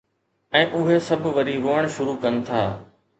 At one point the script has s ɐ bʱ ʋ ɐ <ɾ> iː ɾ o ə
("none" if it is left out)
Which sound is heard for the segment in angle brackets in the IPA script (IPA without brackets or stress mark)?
ɾ